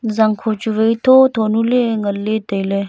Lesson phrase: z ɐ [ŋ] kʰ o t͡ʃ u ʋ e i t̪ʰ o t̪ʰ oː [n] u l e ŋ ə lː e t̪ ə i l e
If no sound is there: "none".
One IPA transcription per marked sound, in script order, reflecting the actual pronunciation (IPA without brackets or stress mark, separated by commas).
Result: ŋ, n